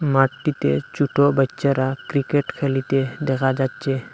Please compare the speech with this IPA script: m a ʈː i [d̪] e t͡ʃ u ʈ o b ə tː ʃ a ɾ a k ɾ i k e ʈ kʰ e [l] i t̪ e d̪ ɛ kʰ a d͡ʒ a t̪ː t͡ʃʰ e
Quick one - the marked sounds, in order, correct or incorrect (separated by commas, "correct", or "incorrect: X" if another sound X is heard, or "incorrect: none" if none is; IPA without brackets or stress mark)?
incorrect: t̪, correct